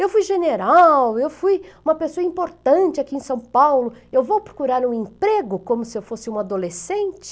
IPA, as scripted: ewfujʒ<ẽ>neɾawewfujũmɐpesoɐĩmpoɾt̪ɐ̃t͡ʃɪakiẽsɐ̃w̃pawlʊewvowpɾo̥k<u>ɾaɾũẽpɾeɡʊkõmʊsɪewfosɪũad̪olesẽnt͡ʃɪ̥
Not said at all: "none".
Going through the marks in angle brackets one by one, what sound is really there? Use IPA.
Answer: e, u

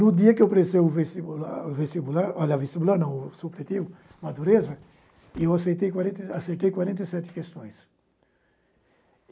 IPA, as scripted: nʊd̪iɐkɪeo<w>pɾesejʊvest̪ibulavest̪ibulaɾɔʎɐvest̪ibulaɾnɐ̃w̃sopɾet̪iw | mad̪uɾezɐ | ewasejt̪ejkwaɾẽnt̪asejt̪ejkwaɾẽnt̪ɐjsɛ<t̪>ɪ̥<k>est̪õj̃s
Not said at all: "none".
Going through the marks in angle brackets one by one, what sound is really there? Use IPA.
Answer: w, t̪, k

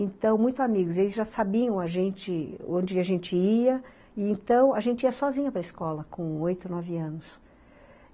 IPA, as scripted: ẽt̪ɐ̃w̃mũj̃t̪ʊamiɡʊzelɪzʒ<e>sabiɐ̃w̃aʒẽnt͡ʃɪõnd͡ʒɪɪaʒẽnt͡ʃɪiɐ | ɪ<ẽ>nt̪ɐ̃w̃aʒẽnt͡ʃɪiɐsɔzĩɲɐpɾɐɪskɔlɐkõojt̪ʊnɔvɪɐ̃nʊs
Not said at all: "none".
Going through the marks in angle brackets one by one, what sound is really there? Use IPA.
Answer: a, ẽ

